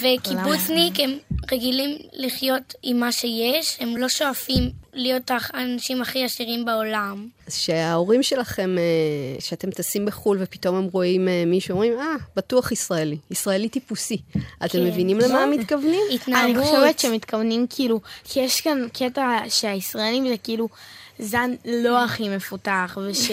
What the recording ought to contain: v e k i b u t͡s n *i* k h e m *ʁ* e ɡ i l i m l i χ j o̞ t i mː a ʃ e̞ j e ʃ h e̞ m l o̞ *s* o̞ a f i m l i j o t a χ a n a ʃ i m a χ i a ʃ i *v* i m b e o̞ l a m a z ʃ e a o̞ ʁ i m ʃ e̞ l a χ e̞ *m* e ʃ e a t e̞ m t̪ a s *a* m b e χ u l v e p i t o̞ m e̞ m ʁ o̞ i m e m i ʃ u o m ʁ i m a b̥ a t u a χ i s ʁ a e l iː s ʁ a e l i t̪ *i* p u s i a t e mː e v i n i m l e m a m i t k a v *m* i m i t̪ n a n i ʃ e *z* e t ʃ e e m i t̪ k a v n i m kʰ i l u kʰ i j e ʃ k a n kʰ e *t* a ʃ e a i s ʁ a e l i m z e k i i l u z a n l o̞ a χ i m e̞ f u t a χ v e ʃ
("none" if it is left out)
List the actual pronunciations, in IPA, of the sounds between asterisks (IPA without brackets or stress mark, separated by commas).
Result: i, ʁ, ʃ, ʁ, m, i, i, n, v, t